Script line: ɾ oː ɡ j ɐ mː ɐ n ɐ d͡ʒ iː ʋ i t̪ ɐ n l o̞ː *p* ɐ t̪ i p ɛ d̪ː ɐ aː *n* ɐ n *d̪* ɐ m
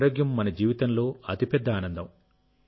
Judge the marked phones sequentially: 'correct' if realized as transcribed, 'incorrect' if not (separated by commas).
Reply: incorrect, correct, correct